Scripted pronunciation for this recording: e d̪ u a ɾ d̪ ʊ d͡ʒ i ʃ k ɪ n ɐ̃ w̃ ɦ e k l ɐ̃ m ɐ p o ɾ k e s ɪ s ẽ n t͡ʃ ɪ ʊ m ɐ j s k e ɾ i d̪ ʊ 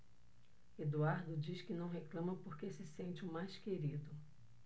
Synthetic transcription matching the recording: e d̪ u a ɾ d̪ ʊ d͡ʒ i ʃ k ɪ n ɐ̃ w̃ ɦ e k l ɐ̃ m ɐ p o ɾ k e s ɪ s ẽ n t͡ʃ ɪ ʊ m a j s k e ɾ i d̪ ʊ